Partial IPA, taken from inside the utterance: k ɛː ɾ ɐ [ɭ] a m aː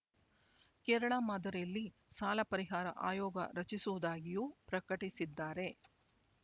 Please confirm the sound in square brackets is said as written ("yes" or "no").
yes